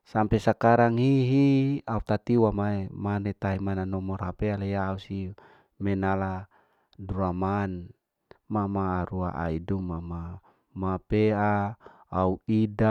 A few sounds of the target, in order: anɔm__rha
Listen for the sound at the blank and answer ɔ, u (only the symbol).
ɔ